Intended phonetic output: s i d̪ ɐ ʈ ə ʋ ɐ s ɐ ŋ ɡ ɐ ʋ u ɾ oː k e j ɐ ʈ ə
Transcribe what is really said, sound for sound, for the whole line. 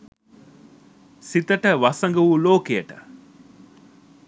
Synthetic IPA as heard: s i t̪ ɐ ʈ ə ʋ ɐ s ɐ ŋ ɡ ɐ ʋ u l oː k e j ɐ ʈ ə